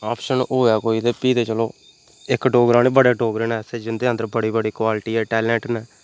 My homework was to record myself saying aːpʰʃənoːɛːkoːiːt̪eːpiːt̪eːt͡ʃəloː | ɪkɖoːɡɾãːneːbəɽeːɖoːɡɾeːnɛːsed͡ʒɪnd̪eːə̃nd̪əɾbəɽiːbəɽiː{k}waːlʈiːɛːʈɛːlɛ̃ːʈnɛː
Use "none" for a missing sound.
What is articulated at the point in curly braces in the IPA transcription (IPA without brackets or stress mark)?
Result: k